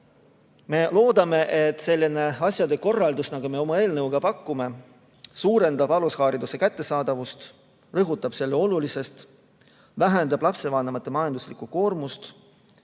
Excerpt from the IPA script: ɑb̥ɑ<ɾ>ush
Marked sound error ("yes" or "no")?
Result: yes